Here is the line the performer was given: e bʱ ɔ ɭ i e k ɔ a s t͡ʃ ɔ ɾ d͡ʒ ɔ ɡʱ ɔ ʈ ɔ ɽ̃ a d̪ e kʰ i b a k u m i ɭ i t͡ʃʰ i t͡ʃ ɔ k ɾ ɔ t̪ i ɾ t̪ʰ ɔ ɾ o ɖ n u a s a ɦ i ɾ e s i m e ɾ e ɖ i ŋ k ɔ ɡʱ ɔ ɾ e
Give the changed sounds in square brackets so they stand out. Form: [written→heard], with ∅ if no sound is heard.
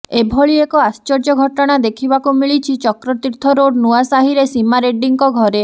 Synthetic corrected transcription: e bʱ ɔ ɭ i e k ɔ a s t͡ʃ ɔ ɾ d͡ʒ ɔ ɡʱ ɔ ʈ ɔ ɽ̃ a d̪ e kʰ i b a k u m i ɭ i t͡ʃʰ i t͡ʃ ɔ k ɾ ɔ t̪ i ɾ t̪ʰ ɔ ɾ o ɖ n u a s a ɦ i ɾ e s i m [e→a] ɾ e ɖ i ŋ k ɔ ɡʱ ɔ ɾ e